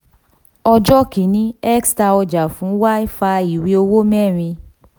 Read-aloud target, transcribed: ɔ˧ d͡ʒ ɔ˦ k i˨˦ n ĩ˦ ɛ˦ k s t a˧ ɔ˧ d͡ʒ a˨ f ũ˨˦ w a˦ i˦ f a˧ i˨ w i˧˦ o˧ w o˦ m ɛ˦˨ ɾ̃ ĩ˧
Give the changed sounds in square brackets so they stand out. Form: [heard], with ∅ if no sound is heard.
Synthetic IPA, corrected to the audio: ɔ˧ d͡ʒ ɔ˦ k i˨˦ n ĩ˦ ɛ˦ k s t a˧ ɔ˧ d͡ʒ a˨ f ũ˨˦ w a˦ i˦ f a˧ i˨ w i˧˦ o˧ w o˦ m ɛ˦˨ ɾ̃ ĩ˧